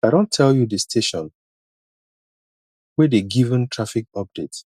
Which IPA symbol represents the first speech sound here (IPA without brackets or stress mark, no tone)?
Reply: a